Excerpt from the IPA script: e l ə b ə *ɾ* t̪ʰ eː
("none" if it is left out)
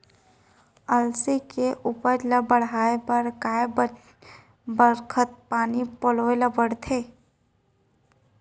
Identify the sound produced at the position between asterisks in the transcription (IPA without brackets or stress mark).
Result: ɽ